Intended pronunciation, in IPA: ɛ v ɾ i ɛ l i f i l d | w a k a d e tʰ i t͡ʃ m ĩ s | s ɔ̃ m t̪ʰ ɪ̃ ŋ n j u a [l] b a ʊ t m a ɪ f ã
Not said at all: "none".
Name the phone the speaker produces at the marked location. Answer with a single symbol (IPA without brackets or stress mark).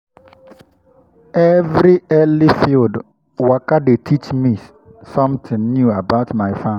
none